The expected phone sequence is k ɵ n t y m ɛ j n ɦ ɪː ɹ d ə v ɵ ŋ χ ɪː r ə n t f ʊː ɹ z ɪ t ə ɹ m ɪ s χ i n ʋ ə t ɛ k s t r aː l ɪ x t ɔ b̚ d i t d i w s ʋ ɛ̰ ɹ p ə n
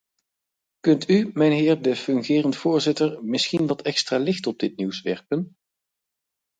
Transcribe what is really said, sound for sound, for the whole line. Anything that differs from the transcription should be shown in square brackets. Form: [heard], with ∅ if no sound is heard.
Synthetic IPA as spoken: k ɵ n t y m ɛ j n ɦ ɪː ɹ d ə [f] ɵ ŋ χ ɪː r ə n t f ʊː ɹ z ɪ t ə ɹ m ɪ s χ i n ʋ [ɑ] t ɛ k s t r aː l ɪ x t ɔ b̚ d [ɪ] t [n] i w s ʋ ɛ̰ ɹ p ə n